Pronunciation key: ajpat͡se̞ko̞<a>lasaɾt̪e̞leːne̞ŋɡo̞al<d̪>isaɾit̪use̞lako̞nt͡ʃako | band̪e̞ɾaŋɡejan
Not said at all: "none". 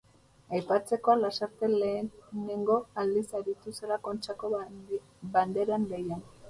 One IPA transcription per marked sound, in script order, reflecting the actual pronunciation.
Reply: a, d̪

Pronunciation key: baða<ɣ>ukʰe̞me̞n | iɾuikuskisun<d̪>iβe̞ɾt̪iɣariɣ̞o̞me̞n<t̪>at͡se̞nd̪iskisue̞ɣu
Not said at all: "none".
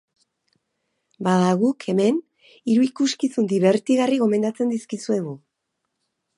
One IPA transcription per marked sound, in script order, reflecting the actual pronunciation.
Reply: ɣ, d̪, d̪

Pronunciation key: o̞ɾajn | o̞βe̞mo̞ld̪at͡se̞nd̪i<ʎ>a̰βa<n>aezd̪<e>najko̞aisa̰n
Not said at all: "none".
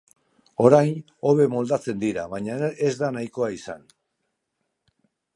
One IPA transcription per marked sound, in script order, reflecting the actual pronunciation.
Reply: ɾ, ɲ, a

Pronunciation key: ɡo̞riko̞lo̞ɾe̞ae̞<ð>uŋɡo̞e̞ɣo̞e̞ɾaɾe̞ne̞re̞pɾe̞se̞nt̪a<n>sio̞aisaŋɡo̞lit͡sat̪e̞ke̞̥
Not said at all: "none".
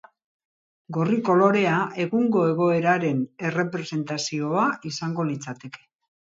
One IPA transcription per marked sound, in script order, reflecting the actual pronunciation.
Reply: ɣ, none

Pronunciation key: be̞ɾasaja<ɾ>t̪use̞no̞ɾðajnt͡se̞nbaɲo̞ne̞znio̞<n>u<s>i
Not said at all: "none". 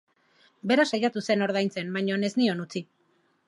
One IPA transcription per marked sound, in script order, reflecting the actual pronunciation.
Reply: none, n, t͡s

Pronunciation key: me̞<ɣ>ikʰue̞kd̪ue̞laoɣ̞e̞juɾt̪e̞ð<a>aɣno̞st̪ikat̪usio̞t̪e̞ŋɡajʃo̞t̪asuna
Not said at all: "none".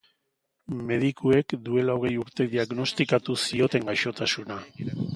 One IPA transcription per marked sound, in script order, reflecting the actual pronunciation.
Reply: ð, i

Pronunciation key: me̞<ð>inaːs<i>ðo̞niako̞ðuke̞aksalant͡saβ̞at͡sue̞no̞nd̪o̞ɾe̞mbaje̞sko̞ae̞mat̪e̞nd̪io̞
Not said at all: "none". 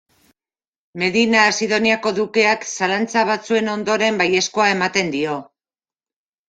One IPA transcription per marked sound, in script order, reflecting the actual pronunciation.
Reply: ð, i

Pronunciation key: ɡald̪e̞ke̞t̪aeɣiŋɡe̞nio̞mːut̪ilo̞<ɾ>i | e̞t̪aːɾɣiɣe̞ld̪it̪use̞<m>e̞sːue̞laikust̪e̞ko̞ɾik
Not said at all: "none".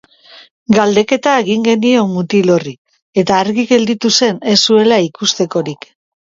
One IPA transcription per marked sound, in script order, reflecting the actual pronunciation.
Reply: r, n

